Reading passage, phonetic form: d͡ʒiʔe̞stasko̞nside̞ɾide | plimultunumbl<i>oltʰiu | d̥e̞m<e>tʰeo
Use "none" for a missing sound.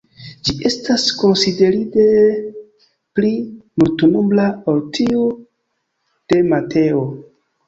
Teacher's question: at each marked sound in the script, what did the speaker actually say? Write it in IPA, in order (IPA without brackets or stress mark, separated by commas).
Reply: a, a